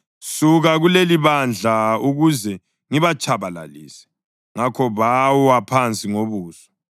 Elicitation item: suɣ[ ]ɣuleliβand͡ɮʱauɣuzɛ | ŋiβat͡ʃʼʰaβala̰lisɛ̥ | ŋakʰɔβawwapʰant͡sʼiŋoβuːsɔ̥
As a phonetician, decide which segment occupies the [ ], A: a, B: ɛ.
A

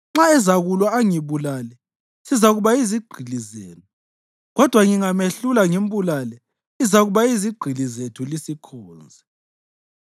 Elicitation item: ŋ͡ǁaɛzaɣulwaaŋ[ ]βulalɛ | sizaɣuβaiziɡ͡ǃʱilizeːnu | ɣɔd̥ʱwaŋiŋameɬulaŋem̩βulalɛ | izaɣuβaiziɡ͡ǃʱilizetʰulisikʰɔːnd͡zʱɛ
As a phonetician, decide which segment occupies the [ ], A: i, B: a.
A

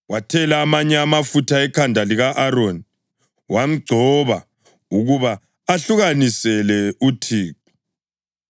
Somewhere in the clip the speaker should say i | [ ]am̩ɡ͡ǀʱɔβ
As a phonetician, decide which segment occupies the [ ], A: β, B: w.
B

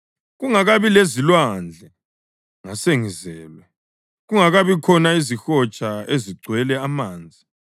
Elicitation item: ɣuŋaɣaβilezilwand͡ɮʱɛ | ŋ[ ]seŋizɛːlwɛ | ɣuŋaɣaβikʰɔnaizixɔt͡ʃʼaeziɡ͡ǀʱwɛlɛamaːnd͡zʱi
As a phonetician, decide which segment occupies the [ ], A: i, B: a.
B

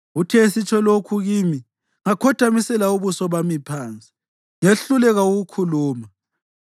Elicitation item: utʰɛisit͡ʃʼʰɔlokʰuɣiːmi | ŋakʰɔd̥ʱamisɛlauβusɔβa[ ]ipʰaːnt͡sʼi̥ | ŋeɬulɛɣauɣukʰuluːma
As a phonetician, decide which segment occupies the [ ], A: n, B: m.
B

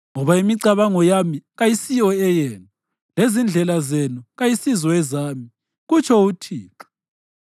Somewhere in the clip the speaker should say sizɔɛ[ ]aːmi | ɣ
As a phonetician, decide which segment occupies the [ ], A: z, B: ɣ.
A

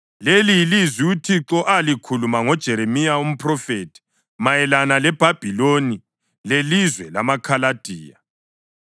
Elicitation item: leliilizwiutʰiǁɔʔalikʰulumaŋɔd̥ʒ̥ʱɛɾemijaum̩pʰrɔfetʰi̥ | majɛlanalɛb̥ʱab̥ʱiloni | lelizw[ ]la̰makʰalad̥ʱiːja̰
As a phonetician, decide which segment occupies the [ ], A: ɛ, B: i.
A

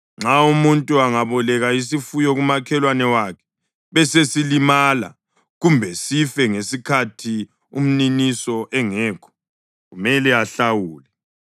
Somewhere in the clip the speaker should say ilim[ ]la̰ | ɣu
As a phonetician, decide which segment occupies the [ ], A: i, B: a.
B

